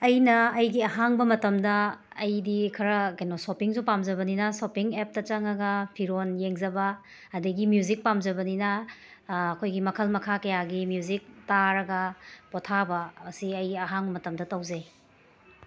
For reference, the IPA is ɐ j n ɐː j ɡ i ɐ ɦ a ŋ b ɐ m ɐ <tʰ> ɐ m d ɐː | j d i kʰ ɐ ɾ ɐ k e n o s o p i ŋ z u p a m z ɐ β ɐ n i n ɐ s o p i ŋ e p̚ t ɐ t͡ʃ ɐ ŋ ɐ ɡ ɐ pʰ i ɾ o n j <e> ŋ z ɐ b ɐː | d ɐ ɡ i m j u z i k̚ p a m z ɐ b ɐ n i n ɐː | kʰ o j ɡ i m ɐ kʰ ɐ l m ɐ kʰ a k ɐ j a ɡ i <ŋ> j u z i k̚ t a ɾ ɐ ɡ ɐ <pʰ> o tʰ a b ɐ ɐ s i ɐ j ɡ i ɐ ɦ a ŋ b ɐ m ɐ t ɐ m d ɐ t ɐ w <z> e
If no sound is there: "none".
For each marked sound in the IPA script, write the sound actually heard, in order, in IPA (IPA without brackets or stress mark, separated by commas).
t, e, m, p, z